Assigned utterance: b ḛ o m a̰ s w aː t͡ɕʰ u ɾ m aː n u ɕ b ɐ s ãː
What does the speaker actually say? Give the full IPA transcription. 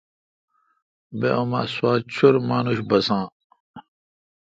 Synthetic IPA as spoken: b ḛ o m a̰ s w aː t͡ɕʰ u ɾ m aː n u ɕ b ɐ s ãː